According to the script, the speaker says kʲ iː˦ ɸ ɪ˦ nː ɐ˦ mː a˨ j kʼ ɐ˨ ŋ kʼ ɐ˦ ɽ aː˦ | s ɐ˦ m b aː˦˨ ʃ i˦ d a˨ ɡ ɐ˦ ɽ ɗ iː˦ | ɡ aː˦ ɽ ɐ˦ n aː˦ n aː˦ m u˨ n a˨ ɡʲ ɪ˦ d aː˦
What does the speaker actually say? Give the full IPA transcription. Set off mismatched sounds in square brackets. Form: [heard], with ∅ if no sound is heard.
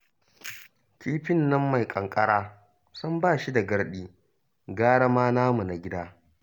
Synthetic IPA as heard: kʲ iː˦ ɸ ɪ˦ nː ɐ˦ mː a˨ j kʼ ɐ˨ ŋ kʼ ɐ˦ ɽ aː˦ | s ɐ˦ m b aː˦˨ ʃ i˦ d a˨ ɡ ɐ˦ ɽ ɗ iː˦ | ɡ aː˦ ɽ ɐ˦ [m] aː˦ n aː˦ m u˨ n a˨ ɡʲ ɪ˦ d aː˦

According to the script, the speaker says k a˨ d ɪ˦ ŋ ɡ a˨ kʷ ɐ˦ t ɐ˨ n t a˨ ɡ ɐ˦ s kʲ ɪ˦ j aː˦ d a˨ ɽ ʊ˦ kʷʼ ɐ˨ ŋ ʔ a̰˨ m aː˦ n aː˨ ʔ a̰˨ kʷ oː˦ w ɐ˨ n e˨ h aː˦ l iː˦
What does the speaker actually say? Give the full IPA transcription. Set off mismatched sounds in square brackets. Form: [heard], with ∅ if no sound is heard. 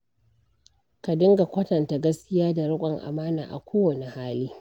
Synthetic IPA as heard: k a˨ d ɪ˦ ŋ ɡ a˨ kʷ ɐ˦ t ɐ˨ n t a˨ ɡ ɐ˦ s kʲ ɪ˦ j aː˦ d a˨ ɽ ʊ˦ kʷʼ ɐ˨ ŋ ʔ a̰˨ m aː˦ n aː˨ ʔ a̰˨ kʷ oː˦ w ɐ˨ n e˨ h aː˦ l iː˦

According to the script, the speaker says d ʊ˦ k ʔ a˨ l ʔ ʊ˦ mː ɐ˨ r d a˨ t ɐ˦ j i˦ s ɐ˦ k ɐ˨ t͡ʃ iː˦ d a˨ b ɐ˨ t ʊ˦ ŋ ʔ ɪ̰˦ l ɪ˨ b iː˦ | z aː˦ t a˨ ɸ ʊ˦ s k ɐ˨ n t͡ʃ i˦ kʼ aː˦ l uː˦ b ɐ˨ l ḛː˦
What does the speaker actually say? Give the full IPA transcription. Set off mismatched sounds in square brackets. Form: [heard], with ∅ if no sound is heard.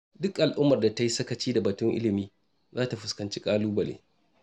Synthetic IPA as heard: d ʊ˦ k ʔ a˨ l ʔ ʊ˦ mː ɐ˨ r d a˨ t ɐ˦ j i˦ s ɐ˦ k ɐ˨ t͡ʃ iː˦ d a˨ b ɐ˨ t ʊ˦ ŋ ʔ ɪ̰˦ l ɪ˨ [m] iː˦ | z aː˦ t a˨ ɸ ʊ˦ s k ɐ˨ n t͡ʃ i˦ kʼ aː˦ l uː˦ b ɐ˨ l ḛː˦

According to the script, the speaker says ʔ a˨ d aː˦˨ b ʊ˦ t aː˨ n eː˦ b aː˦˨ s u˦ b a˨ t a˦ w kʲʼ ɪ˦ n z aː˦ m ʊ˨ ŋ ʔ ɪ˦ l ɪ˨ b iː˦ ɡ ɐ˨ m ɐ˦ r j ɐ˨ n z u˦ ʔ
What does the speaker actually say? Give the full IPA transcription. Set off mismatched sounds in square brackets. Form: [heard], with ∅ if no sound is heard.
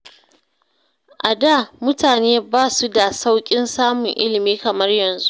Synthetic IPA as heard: ʔ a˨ d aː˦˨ [m] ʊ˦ t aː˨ n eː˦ b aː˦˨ s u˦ [d] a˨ [s] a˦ w kʲʼ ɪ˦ n [s] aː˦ m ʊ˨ ŋ ʔ ɪ˦ l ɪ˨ [m] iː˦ [k] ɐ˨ m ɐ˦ r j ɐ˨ n z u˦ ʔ

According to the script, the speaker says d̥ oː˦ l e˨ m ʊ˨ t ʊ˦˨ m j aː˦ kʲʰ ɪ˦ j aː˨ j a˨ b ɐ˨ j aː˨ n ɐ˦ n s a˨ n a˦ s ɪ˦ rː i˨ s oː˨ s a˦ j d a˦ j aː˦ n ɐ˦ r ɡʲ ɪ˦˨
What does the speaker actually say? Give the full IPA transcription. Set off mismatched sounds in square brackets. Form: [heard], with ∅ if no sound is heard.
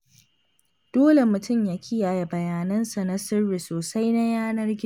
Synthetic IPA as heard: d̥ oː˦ l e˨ m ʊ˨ t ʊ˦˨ m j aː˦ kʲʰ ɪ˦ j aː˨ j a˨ b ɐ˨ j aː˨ n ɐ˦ n s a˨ n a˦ s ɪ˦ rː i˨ s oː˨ s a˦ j [n] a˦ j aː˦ n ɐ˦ r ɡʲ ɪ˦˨

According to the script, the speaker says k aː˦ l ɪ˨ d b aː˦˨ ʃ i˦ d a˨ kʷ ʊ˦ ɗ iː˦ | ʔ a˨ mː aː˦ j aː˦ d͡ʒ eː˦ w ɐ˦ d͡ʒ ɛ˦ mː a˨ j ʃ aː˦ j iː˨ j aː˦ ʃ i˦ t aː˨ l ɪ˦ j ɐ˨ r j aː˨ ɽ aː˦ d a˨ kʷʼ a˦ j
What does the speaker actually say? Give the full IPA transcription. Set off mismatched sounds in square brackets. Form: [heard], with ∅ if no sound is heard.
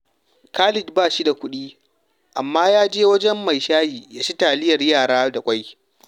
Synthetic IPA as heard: k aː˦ l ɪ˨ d b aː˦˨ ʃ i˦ d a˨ kʷ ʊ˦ ɗ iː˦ | ʔ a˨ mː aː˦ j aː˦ d͡ʒ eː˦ w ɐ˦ d͡ʒ ɛ˦ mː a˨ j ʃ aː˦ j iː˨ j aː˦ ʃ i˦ t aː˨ l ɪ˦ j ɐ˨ r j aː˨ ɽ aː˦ d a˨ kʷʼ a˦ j

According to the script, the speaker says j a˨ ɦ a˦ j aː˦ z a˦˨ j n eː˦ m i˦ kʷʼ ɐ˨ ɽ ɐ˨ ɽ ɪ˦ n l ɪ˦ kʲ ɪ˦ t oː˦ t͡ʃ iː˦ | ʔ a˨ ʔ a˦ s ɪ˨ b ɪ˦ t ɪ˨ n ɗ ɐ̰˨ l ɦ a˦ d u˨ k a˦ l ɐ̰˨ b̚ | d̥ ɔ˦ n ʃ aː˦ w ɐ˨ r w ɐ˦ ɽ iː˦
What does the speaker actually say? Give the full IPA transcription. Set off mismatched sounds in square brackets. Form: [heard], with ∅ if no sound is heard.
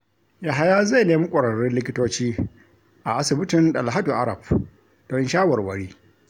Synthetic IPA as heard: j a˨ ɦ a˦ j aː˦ z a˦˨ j n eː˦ m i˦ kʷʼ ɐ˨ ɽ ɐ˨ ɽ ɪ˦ n l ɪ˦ kʲ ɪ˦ t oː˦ t͡ʃ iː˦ | ʔ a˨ ʔ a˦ s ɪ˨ b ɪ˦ t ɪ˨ n ɗ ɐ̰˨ l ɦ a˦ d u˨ [ʔ] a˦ [ɾ] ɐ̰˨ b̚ | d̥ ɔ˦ n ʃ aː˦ w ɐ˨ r w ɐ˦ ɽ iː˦

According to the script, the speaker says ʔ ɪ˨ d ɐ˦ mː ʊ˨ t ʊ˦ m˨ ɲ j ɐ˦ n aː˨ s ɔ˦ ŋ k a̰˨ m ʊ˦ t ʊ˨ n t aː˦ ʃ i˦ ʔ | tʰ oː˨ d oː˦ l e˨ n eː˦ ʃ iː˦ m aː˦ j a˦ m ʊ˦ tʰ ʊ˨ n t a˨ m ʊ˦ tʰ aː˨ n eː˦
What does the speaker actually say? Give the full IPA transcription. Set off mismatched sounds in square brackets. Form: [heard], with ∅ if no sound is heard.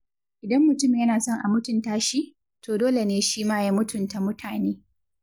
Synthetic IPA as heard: ʔ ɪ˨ d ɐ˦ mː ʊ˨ t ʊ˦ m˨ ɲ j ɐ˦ n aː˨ s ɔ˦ ŋ [ʔ] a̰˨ m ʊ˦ t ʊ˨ n t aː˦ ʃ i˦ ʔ | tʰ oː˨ d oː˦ l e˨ n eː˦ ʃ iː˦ m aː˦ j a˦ m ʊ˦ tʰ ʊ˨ n t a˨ m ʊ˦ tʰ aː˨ n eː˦

